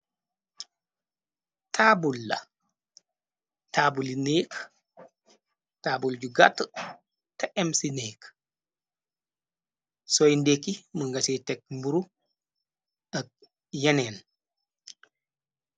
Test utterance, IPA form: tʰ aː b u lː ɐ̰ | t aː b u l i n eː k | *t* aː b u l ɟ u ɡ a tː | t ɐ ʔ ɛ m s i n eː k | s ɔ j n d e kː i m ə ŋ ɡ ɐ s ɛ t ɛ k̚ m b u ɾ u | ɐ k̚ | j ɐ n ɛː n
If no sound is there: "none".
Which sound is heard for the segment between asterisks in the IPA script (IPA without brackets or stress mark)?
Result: t